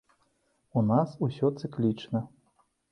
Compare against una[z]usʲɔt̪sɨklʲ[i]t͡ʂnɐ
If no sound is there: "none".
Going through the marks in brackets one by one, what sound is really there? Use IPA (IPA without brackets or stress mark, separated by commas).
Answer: s, i